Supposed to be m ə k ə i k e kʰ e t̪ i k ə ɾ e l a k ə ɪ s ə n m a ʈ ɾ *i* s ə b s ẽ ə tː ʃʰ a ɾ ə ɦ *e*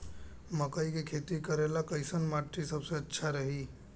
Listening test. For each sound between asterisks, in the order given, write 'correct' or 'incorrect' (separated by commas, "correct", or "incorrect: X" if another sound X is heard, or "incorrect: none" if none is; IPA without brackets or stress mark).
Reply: correct, incorrect: i